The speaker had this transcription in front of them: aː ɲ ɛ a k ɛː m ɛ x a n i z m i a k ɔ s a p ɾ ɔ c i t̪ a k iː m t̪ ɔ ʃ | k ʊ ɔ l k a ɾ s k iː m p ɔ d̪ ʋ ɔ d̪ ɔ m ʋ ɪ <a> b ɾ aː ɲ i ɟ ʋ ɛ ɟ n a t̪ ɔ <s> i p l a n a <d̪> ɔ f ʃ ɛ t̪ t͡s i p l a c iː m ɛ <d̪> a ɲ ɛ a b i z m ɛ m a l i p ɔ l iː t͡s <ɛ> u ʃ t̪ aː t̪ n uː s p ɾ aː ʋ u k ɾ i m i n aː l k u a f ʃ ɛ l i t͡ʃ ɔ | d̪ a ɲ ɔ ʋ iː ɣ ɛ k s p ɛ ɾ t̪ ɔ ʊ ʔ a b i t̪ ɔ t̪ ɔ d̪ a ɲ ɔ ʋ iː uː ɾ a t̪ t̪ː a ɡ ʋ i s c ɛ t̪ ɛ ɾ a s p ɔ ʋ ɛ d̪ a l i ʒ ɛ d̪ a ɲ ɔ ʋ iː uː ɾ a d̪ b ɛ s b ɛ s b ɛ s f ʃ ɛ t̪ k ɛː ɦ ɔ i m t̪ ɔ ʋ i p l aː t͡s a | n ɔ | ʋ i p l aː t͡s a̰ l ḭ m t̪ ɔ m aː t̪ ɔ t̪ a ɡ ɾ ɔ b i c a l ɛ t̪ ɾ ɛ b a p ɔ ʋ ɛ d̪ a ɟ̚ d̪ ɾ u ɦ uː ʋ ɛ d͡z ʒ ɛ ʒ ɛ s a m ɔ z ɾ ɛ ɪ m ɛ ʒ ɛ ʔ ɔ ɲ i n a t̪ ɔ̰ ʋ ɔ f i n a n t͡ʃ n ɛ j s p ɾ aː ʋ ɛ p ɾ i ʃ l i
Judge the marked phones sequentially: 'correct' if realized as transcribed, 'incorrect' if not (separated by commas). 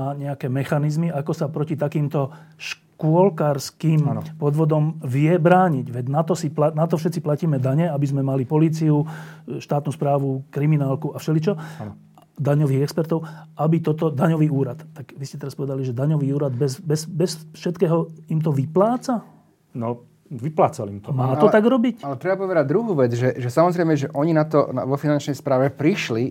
incorrect, correct, incorrect, correct, incorrect